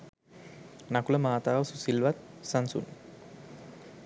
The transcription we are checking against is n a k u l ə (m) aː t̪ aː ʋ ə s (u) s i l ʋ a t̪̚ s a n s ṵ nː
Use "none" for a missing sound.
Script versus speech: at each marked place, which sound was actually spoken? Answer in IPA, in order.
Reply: m, u

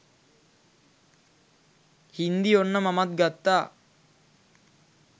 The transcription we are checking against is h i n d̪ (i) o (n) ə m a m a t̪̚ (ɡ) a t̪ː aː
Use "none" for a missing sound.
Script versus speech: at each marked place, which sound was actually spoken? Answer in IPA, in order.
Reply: i, nː, ɡ

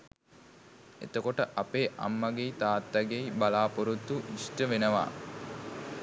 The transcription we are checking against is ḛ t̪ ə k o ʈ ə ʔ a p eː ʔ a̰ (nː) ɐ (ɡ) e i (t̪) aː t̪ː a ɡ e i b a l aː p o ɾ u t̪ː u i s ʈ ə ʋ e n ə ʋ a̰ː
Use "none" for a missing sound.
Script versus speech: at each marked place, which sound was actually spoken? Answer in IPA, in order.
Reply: mː, ɡ, t̪

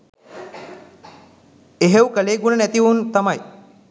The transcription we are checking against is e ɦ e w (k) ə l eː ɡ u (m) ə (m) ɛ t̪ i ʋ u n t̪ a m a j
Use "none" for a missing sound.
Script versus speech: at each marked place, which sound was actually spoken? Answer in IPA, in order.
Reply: k, n, n

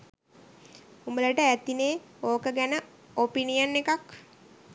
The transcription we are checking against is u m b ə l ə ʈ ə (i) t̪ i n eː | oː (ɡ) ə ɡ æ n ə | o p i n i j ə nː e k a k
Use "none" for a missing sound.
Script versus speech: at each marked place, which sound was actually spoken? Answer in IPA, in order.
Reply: æ, k

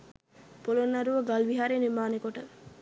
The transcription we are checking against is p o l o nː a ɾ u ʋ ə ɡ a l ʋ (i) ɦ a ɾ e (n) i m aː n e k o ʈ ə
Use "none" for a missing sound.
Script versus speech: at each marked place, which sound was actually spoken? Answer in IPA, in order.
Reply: i, n

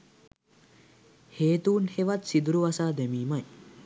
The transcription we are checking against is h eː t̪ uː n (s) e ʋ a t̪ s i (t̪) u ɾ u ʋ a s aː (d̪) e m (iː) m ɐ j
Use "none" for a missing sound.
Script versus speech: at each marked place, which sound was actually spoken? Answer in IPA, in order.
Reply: h, d̪, d̪, iː

